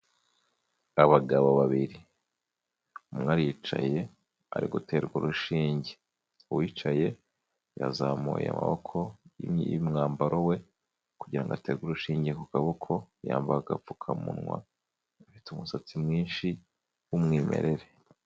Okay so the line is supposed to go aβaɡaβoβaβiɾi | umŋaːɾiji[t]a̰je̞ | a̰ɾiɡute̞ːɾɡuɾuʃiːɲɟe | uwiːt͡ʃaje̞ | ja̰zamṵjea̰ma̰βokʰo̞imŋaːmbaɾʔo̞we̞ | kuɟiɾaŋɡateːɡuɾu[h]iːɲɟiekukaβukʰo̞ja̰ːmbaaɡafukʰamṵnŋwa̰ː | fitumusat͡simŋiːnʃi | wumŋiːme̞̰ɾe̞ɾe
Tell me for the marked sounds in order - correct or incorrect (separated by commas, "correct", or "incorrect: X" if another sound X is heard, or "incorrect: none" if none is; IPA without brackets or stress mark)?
incorrect: t͡ʃ, incorrect: ʃ